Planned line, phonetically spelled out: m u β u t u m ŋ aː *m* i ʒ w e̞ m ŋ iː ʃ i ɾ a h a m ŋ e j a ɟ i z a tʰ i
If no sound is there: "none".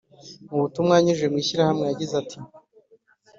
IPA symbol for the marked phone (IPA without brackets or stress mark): ɲ